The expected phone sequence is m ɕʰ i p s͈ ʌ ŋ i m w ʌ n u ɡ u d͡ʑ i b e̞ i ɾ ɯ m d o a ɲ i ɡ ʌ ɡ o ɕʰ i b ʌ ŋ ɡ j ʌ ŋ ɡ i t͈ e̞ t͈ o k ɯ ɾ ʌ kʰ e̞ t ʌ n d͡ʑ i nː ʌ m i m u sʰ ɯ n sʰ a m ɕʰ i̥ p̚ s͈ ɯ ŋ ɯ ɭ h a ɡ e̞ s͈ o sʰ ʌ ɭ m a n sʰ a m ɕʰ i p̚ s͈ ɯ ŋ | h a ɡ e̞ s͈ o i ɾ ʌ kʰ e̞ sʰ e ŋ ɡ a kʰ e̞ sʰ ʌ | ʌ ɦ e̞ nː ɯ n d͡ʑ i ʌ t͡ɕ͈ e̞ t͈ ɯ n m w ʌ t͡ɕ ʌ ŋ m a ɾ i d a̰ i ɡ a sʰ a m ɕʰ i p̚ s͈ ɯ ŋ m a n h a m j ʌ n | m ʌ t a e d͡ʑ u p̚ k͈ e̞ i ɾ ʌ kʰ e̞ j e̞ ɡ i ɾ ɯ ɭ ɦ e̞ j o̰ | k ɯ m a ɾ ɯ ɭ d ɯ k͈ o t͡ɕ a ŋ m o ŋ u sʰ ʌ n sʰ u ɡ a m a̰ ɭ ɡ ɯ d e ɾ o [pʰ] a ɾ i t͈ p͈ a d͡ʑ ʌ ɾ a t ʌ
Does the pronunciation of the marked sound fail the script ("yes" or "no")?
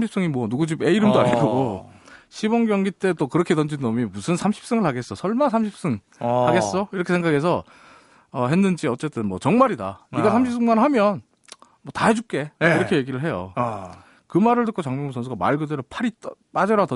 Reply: no